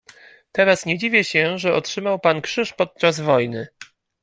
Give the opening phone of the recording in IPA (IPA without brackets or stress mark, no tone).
t̪